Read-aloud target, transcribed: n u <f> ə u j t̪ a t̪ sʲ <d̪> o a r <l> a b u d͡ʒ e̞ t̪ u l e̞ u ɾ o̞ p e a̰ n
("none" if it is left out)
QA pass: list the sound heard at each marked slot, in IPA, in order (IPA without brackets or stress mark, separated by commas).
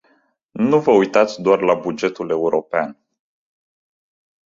v, d̪, l